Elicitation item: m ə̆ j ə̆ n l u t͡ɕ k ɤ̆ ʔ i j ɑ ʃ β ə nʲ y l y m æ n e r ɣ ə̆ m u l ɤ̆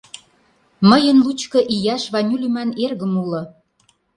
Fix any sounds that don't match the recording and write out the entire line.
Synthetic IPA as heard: m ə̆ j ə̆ n l u t͡ɕ k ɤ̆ ʔ i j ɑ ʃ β ɑ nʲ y l y m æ n e r ɣ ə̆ m u l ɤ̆